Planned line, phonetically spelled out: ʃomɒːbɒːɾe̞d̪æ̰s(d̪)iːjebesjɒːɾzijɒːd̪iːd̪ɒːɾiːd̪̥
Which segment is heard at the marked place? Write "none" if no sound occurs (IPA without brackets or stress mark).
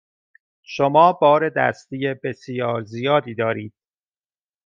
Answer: t̪